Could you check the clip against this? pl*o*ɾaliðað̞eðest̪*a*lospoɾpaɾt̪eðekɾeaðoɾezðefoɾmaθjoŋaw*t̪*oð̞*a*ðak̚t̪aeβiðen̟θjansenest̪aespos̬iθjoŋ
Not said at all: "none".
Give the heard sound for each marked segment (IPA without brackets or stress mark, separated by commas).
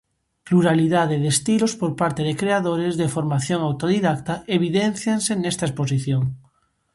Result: u, i, t̪, i